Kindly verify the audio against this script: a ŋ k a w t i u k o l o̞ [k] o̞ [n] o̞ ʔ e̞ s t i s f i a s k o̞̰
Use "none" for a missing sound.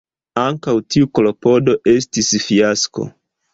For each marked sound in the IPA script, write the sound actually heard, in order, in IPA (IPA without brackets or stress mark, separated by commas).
p, d